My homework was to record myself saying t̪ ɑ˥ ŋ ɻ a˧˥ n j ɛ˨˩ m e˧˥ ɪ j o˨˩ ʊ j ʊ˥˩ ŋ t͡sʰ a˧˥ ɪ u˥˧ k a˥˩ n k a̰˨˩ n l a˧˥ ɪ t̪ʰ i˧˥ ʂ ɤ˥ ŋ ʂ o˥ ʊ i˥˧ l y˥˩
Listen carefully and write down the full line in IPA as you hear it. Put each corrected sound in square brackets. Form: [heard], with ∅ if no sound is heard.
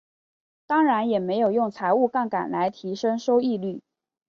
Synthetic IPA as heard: t̪ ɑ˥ ŋ ɻ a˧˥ n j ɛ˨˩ m e˧˥ ɪ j o˨˩ ʊ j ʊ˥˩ ŋ t͡sʰ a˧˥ ɪ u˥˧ k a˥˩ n k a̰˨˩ n l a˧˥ ɪ t̪ʰ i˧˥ ʂ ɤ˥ ŋ ʂ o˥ ʊ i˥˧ l y˥˩